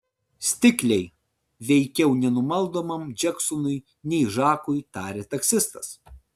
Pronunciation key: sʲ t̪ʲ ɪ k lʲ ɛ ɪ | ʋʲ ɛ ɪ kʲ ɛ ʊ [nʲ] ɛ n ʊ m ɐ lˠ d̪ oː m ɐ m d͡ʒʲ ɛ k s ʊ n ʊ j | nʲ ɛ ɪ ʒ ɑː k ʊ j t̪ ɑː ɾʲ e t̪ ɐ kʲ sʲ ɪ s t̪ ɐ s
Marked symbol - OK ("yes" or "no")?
yes